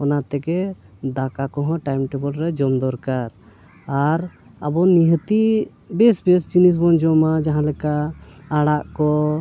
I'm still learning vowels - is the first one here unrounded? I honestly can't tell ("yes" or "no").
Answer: no